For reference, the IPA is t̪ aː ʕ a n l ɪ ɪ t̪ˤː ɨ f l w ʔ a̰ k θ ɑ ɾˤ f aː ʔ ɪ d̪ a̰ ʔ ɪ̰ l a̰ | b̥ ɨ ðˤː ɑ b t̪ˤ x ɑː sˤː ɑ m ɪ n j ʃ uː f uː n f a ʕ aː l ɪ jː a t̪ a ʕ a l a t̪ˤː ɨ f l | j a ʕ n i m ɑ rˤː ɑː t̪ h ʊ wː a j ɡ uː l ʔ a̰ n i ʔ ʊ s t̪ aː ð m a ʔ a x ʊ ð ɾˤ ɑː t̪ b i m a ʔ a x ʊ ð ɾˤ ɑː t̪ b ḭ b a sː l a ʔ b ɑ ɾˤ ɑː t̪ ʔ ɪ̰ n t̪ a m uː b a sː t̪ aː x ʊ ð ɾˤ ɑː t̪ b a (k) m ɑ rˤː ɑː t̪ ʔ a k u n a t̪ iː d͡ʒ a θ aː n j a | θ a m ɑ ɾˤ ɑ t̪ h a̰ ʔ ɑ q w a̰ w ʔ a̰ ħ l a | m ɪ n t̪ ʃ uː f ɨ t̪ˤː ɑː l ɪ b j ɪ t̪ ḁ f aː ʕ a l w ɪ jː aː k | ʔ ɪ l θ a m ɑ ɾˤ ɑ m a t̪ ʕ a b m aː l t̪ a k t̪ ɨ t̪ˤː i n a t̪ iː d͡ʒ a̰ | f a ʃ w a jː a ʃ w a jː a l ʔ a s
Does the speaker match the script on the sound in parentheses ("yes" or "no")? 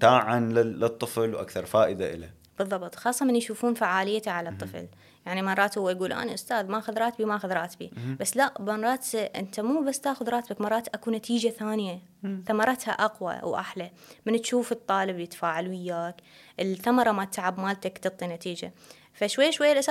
yes